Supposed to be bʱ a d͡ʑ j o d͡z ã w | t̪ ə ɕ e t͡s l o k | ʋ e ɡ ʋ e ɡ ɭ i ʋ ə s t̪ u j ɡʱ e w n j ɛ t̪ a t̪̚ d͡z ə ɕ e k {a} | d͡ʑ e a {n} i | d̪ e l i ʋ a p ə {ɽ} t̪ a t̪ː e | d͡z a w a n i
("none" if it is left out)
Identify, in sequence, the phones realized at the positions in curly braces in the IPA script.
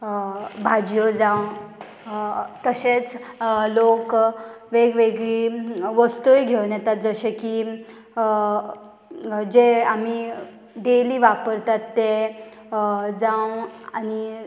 i, m, ɾ

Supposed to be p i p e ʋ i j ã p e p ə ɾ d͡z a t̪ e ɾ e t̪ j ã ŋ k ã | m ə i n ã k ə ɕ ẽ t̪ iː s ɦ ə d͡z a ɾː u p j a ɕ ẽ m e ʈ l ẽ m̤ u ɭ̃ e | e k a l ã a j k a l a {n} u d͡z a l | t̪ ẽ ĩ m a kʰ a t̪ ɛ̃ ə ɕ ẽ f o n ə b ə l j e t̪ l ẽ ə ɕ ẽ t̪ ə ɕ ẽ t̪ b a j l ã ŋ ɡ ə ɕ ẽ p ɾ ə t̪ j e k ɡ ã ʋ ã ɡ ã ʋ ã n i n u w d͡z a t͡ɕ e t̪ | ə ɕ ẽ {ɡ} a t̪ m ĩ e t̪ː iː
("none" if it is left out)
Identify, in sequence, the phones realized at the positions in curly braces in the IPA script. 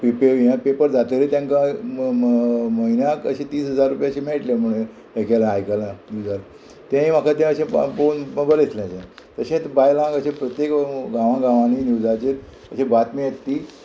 n, b

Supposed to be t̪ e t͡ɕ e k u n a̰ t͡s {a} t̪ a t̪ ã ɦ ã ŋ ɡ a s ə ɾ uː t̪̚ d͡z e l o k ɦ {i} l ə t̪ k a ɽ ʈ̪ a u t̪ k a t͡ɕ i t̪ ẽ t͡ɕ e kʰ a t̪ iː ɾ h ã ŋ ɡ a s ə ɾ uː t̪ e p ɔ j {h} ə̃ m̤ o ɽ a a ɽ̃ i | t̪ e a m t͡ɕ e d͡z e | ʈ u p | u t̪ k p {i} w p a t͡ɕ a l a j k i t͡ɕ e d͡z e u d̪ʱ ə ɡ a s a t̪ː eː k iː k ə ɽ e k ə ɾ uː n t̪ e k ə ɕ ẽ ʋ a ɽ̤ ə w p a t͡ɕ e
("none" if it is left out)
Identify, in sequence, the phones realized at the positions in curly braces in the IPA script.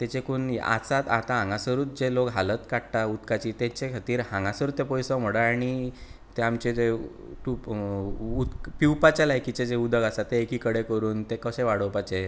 a, a, s, i

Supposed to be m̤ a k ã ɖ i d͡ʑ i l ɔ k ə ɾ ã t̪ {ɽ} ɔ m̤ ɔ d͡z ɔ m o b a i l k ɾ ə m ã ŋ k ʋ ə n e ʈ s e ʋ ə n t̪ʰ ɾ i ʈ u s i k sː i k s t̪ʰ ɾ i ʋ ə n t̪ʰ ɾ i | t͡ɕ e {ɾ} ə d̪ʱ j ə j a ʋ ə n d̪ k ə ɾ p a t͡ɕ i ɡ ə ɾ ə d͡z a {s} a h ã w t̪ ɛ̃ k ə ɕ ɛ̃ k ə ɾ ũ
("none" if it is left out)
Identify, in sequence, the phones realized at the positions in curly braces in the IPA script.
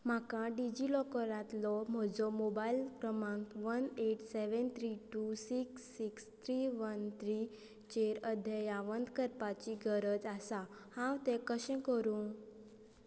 l, ɾ, s

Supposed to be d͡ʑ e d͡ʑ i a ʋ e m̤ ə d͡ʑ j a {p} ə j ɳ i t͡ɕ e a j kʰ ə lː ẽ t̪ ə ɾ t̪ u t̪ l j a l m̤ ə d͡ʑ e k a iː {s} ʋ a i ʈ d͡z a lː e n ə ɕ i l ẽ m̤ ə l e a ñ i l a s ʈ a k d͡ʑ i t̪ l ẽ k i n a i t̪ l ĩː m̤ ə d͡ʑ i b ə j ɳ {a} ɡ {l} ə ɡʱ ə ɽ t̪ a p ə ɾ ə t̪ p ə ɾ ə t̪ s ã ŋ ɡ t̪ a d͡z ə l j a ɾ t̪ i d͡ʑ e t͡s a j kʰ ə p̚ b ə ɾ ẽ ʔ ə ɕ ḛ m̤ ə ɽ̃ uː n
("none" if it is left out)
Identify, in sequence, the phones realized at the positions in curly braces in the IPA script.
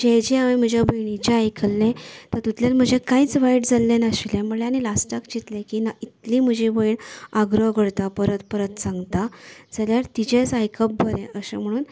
b, t͡s, a, ɾ

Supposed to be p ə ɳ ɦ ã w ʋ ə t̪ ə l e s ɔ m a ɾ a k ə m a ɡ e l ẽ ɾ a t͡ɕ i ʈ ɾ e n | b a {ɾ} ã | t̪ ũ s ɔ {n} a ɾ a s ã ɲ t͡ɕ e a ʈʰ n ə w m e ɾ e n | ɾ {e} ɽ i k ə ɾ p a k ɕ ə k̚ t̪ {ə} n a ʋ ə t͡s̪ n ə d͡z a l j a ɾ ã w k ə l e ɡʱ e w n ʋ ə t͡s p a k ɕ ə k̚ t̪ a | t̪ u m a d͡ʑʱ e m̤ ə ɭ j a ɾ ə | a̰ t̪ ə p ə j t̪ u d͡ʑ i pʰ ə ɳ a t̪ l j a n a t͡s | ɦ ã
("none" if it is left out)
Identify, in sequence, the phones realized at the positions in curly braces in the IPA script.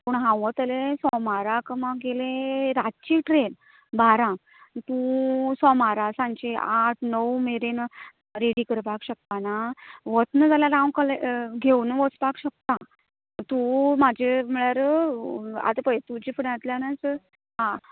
ɾ, m, e, a

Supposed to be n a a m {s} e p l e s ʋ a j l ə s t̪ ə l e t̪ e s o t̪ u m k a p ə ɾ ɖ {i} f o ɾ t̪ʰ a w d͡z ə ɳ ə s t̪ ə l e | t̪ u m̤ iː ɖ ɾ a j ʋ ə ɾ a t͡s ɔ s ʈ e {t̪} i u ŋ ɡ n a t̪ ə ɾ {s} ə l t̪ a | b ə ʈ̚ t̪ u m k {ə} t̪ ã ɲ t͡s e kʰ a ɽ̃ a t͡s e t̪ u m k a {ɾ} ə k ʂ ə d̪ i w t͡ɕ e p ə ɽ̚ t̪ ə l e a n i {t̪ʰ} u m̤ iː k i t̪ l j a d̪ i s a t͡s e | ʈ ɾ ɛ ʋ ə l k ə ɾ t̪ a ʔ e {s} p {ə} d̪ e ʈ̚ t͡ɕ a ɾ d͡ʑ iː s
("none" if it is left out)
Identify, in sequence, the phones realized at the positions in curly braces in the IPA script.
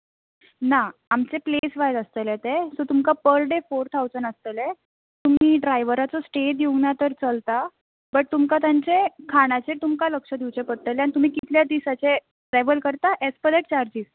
t͡s, e, d̪, t͡s, a, l, t̪, s, ə

